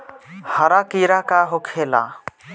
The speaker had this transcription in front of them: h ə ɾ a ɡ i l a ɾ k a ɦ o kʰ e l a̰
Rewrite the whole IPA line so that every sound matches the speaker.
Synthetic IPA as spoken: h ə ɾ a k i ɾ a k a ɦ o kʰ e l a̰